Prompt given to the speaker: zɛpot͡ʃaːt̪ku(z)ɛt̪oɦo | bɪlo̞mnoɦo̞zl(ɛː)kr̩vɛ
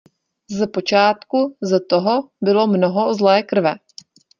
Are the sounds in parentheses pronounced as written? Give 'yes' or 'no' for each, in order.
yes, yes

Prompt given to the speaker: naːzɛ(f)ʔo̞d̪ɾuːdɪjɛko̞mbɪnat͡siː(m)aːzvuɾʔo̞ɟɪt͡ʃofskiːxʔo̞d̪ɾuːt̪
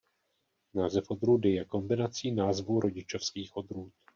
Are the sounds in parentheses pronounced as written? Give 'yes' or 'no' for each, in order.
yes, no

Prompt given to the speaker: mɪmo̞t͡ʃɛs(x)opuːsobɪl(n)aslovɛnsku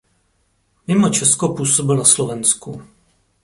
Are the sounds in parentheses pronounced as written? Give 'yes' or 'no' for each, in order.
no, yes

